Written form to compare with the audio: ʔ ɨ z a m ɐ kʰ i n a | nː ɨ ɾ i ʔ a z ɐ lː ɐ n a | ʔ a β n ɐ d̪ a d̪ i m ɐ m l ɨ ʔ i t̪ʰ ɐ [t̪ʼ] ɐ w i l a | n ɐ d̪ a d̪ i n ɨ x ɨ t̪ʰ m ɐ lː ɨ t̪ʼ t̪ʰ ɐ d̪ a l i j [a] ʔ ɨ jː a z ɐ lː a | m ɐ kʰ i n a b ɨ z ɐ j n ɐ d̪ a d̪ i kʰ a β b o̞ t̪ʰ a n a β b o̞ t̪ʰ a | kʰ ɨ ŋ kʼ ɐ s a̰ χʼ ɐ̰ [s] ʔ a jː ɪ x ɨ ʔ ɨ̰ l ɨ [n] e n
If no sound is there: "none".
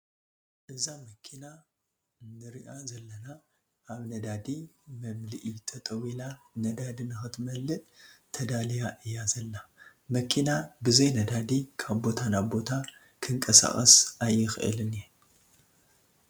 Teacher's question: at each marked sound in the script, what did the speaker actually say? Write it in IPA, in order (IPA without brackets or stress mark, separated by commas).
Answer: t̪ʼ, a, s, n